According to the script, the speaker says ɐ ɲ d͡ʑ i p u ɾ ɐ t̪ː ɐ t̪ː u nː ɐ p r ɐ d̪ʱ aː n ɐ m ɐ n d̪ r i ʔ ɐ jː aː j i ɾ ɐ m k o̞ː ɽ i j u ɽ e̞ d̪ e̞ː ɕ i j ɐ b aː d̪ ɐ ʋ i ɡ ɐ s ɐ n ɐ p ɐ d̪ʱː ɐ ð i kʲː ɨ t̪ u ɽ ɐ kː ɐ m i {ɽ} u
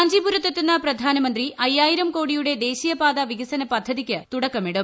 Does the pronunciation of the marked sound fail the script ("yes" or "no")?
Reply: no